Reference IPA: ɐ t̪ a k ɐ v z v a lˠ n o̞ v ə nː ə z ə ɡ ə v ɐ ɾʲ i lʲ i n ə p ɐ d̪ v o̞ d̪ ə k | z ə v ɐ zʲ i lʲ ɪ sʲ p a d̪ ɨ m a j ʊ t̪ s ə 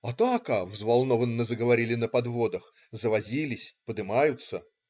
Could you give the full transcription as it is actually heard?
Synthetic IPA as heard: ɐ t̪ a k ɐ v z v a lˠ n o̞ v ə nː ə z ə ɡ ə v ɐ ɾʲ i lʲ ɪ n ə p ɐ d̪ v o̞ d̪ ə x | z ə v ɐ zʲ i lʲ ɪ sʲ p ə d̪ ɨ m a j ʊ t̪ s ə